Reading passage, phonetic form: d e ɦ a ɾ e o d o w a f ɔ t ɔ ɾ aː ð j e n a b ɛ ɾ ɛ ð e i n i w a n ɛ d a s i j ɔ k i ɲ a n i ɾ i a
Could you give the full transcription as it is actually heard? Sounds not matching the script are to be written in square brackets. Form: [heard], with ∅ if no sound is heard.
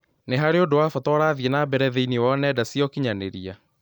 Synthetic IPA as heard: [n] e ɦ a ɾ e o d o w a f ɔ t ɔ ɾ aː ð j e n a b ɛ ɾ ɛ ð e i n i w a n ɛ d a s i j ɔ k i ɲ a n [e] ɾ i a